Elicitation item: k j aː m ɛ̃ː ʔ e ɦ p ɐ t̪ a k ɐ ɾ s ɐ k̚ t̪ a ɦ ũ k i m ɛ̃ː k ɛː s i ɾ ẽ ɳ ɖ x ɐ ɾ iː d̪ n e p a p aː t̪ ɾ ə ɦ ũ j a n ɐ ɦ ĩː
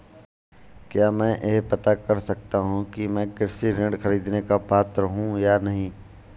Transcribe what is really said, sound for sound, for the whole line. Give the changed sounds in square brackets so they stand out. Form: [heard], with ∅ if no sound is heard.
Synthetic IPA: k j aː m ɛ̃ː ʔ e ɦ p ɐ t̪ a k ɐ ɾ s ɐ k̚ t̪ a ɦ ũ k i m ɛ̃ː k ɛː s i ɾ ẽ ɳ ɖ x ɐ ɾ iː d̪ n e [k] a p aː t̪ ɾ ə ɦ ũ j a n ɐ ɦ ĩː